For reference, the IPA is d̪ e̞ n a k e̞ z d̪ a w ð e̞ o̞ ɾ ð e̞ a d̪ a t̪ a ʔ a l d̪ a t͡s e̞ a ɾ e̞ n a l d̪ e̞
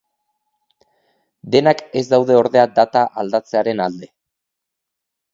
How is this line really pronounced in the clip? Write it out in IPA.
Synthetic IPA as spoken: d̪ e̞ n a k e̞ z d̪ a w ð e̞ o̞ ɾ ð e̞ a d̪ a t̪ a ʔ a l d̪ a t͡s e̞ a ɾ e̞ n a l d̪ e̞